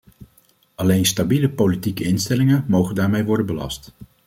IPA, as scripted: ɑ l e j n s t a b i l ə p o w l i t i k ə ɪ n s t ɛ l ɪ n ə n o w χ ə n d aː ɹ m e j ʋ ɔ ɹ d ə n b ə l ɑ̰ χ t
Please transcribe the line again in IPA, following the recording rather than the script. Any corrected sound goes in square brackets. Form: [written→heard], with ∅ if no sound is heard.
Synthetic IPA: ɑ l e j n s t a b i l ə p o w l i t i k ə ɪ n s t ɛ l ɪ [n→ŋ] ə [n→m] o w χ ə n d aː ɹ m e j ʋ ɔ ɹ d ə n b ə l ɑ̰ [χ→s] t